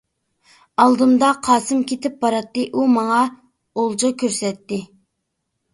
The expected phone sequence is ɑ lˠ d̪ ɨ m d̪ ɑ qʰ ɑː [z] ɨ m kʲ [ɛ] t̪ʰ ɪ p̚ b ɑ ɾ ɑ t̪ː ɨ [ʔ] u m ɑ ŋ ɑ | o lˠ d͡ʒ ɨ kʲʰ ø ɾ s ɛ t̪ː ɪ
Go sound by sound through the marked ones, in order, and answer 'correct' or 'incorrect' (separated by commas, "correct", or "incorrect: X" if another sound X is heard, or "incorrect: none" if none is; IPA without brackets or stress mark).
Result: incorrect: s, incorrect: e, correct